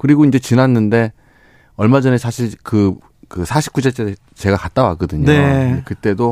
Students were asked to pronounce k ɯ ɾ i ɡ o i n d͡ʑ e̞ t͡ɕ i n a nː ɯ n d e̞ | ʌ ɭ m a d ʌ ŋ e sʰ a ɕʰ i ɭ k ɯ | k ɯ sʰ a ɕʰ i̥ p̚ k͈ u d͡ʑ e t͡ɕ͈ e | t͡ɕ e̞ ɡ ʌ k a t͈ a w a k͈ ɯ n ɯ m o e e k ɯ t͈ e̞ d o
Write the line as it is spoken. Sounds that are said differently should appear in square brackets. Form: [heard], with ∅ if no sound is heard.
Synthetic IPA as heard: k ɯ ɾ i ɡ o i n d͡ʑ e̞ t͡ɕ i n a nː ɯ n d e̞ | ʌ ɭ m a [d͡ʑ] ʌ [n] e sʰ a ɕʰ i ɭ k ɯ | k ɯ sʰ a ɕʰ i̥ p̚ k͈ u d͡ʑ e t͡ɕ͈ e | t͡ɕ e̞ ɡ [a] k a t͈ a w a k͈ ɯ [d] ɯ [ɲ] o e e k ɯ t͈ e̞ d o